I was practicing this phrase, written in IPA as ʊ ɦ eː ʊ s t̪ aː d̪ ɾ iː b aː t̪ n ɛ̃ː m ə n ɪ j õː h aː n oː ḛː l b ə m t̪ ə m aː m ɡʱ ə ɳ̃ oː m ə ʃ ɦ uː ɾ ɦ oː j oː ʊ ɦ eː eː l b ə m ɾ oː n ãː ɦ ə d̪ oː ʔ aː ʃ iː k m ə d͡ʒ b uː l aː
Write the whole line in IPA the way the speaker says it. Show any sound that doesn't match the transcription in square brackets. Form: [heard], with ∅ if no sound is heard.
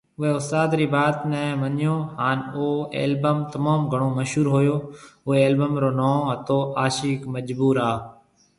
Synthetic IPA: ʊ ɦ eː ʊ s t̪ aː d̪ ɾ iː b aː t̪ n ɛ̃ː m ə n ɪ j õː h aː n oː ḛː l b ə m t̪ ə m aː m ɡʱ ə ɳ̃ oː m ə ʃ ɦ uː ɾ ɦ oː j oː ʊ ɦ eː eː l b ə m ɾ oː n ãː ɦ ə [t̪] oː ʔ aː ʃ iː k m ə d͡ʒ b uː [ɾ] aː